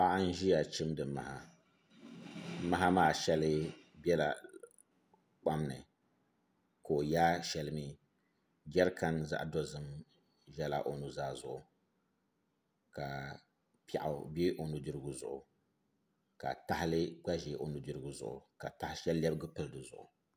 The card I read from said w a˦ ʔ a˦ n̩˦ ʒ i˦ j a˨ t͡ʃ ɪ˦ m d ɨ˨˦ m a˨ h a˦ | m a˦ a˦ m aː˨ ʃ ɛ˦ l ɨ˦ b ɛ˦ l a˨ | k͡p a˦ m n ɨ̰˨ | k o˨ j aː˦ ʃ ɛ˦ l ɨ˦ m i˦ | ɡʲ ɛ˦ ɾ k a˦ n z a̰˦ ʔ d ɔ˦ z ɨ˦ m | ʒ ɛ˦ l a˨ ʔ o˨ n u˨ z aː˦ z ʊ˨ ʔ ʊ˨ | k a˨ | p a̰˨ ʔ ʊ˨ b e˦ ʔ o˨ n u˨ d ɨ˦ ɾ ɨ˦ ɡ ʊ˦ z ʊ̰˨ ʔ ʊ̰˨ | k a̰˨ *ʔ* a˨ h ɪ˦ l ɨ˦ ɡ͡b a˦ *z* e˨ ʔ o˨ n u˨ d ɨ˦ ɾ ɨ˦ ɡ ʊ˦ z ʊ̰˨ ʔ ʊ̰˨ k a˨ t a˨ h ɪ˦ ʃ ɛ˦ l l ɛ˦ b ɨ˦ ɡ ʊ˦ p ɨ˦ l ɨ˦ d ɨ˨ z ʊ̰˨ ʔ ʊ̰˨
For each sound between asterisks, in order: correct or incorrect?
incorrect, incorrect

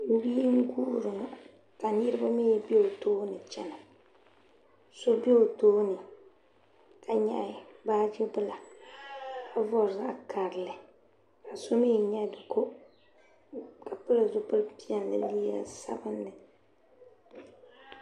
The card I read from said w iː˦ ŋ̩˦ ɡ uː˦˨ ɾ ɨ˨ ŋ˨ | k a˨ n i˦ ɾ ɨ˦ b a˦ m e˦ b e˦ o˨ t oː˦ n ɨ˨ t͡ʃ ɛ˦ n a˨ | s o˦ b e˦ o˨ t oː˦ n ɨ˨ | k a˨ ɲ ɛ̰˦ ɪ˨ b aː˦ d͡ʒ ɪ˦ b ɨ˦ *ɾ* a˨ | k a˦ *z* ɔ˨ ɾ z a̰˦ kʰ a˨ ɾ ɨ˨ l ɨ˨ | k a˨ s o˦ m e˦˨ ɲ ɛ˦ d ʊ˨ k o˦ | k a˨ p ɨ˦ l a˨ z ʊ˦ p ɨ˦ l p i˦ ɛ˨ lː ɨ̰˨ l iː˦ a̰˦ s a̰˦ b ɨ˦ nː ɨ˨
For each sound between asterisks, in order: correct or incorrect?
incorrect, incorrect

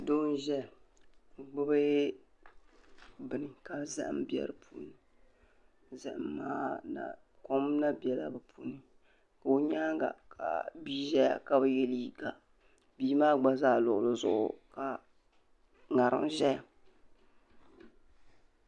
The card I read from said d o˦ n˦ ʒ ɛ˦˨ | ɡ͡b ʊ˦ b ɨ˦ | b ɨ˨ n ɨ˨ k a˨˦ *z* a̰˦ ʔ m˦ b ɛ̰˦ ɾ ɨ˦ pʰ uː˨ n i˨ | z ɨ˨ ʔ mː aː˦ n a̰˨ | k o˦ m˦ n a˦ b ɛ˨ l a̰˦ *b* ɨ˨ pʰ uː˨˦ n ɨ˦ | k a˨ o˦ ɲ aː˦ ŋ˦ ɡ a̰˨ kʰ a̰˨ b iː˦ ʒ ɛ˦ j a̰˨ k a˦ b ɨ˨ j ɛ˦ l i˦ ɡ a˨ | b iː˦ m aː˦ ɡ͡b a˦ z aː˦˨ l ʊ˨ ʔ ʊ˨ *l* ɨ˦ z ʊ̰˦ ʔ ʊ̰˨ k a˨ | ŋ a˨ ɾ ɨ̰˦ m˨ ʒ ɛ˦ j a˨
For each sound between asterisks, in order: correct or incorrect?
correct, correct, correct

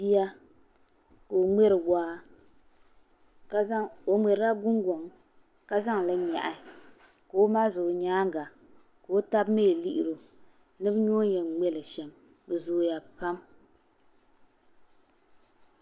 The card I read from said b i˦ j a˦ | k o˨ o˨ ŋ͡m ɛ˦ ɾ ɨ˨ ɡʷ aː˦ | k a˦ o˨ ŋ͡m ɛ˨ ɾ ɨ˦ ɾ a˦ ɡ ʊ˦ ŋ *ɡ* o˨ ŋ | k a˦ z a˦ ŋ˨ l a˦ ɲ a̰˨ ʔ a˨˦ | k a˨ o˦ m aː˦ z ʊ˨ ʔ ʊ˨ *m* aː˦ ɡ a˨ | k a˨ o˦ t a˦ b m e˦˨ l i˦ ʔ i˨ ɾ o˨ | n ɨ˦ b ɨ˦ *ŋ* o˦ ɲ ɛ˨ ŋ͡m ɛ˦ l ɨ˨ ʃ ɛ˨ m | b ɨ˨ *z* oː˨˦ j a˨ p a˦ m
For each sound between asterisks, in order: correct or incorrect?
correct, incorrect, incorrect, correct

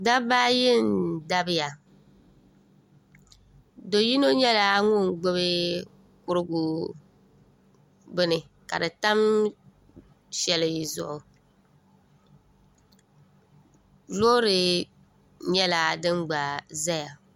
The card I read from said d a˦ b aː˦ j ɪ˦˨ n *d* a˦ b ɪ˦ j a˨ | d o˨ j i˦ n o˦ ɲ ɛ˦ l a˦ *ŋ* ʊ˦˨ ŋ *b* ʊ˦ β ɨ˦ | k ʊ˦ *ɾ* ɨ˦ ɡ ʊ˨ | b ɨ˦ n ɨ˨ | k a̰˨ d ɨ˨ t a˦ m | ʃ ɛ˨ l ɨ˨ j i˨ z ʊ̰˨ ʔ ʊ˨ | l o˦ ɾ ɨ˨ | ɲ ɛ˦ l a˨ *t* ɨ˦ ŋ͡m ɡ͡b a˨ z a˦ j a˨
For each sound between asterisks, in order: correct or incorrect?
correct, correct, incorrect, correct, incorrect

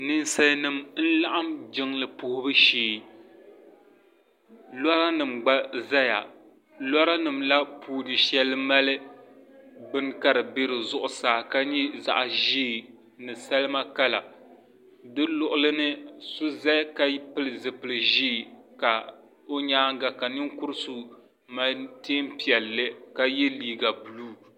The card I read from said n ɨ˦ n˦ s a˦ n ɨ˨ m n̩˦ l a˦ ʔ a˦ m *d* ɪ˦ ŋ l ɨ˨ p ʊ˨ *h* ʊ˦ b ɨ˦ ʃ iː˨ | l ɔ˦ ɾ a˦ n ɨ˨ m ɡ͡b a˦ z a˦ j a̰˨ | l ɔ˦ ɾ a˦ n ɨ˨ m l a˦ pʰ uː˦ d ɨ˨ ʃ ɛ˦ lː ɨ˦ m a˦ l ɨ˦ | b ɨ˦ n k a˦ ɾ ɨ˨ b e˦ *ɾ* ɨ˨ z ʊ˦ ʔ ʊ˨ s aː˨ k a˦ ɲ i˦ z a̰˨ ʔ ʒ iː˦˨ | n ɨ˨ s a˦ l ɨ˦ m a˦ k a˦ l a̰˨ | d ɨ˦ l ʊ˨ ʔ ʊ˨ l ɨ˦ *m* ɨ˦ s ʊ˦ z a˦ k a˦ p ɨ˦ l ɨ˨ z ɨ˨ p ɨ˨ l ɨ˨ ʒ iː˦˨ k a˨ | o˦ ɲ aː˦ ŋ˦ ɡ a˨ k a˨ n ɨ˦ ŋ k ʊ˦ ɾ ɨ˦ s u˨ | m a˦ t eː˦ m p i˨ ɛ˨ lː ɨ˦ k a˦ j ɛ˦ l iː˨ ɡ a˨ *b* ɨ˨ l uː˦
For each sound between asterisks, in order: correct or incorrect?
incorrect, correct, correct, incorrect, correct

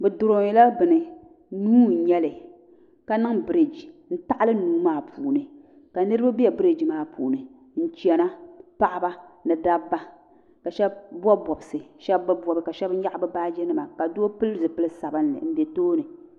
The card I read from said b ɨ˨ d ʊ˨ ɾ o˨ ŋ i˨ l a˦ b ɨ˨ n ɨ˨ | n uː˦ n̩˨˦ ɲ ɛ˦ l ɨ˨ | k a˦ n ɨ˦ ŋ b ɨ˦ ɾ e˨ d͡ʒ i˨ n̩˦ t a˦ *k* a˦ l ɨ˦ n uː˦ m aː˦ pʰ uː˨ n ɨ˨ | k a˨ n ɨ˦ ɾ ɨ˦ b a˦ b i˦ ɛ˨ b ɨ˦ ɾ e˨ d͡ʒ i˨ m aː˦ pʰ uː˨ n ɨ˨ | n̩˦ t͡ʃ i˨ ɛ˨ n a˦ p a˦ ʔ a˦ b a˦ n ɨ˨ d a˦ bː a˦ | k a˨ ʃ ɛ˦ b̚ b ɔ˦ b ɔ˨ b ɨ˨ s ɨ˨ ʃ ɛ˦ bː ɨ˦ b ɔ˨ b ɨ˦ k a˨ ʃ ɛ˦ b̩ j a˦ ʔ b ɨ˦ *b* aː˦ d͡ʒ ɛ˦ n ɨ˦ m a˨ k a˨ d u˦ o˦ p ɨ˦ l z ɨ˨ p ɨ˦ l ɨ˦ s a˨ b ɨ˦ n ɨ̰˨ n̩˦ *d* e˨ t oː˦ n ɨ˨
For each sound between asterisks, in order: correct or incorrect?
incorrect, correct, correct

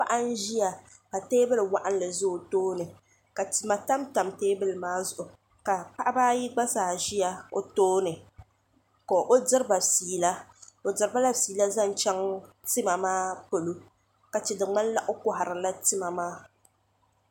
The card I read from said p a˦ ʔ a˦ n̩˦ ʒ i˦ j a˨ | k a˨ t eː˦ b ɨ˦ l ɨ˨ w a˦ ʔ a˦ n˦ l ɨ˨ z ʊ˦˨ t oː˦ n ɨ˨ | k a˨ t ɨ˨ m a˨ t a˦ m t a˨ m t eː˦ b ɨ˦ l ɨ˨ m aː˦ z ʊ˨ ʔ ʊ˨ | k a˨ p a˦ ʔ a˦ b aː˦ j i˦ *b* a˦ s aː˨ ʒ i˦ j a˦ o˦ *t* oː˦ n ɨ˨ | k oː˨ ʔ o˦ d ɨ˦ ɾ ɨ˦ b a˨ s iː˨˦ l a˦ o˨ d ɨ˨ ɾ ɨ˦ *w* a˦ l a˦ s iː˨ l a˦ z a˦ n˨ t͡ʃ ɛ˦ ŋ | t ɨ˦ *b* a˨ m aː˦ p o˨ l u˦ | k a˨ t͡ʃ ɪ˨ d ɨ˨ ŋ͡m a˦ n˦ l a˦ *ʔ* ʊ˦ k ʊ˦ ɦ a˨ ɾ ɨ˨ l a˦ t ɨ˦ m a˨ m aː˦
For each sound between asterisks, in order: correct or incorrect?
incorrect, correct, incorrect, incorrect, correct

